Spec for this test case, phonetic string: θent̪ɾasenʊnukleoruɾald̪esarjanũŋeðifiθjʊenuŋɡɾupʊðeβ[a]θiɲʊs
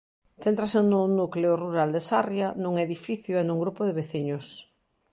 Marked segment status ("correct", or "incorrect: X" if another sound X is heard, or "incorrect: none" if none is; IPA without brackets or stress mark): incorrect: e